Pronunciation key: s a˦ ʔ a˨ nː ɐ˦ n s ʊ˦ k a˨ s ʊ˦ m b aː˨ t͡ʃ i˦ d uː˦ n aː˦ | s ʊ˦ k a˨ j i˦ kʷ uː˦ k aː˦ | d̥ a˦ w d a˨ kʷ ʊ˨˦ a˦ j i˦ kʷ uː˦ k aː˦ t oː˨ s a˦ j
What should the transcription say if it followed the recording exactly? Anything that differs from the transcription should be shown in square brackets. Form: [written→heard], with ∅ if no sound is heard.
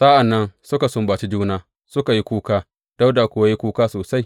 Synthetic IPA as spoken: s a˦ ʔ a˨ nː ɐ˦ n s ʊ˦ k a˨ s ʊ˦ m b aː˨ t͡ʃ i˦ [d→d͡ʒ] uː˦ n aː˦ | s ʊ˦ k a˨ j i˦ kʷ uː˦ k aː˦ | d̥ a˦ w d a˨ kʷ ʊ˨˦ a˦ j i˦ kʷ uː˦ k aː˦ [t→s] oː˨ s a˦ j